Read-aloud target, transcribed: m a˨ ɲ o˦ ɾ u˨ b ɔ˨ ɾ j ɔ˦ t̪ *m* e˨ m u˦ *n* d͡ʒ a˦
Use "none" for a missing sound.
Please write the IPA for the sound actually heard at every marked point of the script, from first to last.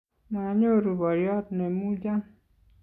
n, none

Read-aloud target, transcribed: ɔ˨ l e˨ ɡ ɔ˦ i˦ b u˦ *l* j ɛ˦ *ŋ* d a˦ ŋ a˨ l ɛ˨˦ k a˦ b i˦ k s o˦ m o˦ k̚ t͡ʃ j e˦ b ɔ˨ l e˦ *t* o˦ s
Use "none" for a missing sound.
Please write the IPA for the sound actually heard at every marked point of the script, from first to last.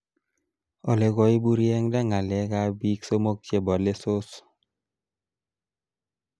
ɾ, ŋ, s

